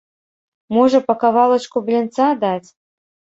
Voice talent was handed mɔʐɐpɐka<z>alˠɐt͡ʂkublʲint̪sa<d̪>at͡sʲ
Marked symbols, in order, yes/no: no, yes

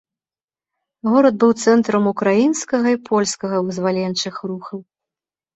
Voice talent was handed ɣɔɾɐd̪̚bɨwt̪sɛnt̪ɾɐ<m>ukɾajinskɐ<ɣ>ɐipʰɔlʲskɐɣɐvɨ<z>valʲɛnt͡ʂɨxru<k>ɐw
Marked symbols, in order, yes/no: yes, yes, yes, no

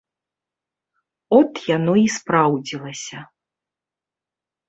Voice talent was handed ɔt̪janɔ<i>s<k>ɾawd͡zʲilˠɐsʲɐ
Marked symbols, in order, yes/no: yes, no

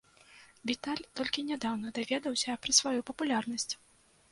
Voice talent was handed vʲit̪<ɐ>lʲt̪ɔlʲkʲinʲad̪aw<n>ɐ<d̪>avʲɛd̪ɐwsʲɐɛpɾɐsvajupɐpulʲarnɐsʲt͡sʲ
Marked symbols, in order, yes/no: no, yes, yes

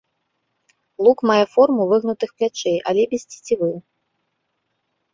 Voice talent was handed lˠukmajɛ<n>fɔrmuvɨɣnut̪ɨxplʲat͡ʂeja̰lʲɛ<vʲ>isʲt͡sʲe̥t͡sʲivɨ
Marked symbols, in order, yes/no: no, no

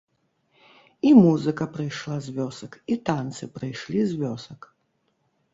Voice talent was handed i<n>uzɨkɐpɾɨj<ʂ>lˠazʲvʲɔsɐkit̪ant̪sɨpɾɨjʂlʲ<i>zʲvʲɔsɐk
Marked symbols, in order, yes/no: no, yes, yes

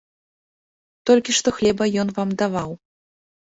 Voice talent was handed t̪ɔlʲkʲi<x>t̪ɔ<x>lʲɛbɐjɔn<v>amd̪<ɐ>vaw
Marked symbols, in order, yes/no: no, yes, yes, no

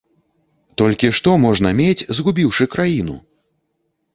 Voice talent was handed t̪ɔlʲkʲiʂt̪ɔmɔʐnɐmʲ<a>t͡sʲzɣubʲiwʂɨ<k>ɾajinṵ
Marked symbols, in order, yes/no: no, yes

